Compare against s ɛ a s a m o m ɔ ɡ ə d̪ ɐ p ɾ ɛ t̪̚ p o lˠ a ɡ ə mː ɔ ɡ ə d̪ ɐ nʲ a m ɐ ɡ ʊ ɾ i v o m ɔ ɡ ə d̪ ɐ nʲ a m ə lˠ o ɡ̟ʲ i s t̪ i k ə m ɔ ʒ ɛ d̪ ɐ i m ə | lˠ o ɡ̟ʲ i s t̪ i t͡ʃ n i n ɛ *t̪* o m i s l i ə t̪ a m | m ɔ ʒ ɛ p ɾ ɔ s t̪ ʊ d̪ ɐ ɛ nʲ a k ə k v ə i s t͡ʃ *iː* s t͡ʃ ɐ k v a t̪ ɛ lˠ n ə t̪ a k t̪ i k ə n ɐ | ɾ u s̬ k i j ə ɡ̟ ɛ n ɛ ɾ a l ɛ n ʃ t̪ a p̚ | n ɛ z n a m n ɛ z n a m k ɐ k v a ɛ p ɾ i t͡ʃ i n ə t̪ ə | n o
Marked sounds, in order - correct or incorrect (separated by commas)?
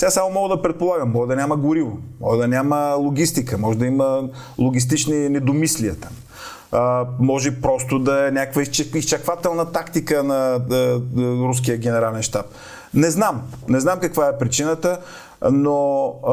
incorrect, incorrect